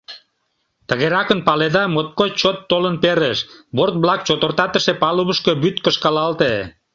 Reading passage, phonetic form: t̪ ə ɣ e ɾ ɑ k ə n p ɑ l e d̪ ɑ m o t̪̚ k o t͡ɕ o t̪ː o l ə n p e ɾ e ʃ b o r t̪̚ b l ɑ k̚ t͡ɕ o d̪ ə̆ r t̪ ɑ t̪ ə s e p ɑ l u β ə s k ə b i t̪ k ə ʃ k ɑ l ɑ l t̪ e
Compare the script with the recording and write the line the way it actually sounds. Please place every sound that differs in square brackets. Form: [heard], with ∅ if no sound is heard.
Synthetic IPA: t̪ ə ɣ e ɾ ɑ k ə n p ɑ l e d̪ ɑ m o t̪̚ k o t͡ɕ o t̪ː o l ə n p e ɾ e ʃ b o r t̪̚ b l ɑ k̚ t͡ɕ o [t̪] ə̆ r t̪ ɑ t̪ ə [ʃ] e p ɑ l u β ə [ʃ] k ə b [y] t̪ k ə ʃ k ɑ l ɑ l t̪ e